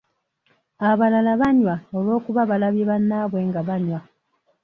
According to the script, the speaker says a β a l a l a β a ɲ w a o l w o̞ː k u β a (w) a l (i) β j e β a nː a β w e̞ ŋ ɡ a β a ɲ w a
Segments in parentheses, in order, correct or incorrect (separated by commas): incorrect, incorrect